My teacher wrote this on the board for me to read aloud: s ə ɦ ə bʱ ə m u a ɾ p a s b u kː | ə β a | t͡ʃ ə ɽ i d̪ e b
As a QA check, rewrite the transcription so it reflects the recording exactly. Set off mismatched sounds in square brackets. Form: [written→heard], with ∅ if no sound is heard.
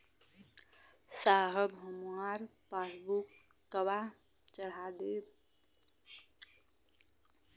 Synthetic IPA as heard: s [ə→a] ɦ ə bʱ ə m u a ɾ p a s b u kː | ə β a | t͡ʃ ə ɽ [i→a] d̪ e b